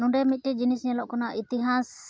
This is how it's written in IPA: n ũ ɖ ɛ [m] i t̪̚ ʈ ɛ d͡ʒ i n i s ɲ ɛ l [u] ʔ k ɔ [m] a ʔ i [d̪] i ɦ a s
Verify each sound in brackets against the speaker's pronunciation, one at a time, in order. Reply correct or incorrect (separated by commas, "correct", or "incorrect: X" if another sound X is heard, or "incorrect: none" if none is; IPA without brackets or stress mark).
correct, incorrect: ɔ, incorrect: n, incorrect: t̪